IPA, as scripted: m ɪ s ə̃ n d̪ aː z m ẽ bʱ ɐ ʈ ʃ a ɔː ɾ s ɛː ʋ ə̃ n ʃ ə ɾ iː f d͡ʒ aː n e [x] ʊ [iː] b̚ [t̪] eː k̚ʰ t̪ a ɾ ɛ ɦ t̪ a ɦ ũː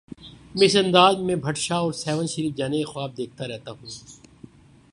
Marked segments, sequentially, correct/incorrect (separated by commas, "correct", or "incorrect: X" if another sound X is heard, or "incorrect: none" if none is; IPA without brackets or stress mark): correct, incorrect: aː, incorrect: d̪